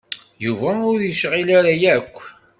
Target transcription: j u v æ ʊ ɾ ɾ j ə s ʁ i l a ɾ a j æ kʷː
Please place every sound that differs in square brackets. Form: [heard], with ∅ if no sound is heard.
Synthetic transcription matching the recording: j u v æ ʊ ɾ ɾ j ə [ʃ] ʁ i l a ɾ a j æ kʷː